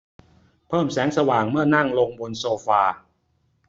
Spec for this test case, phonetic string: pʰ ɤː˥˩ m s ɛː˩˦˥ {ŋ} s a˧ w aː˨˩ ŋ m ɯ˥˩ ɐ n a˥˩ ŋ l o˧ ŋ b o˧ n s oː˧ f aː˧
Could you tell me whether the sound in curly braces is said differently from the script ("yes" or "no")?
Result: no